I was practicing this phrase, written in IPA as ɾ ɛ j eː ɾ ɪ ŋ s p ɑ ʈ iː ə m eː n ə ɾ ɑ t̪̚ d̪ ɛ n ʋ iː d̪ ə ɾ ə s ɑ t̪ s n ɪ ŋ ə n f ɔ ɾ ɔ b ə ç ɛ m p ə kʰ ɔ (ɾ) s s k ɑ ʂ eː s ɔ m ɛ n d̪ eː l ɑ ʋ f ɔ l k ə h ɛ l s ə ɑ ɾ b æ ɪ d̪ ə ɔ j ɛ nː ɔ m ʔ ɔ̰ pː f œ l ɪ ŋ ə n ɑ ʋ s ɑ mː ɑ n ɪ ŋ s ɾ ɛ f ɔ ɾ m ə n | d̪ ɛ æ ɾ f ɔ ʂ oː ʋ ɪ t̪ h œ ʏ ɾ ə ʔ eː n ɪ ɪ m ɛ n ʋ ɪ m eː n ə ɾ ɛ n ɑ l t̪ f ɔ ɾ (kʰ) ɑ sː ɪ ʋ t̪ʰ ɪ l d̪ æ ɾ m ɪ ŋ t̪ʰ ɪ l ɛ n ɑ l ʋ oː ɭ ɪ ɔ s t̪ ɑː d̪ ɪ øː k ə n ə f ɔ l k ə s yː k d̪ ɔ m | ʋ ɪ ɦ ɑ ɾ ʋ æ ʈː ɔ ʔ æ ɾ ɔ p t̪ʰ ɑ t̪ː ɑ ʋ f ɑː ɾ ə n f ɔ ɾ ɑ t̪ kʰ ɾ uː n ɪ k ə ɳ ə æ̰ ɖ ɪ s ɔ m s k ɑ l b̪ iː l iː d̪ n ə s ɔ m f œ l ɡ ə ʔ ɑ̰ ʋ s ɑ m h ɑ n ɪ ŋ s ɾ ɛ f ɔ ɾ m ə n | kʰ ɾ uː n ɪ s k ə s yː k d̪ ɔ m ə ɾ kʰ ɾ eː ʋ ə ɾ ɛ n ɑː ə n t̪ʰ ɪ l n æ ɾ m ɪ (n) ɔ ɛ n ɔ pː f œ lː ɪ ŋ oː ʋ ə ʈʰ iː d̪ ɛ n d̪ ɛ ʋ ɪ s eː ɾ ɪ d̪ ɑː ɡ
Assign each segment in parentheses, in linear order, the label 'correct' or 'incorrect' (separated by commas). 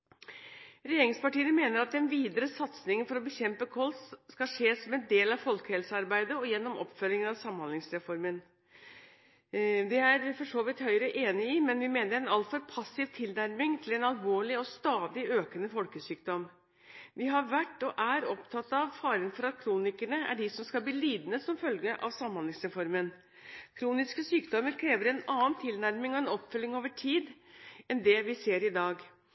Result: incorrect, incorrect, incorrect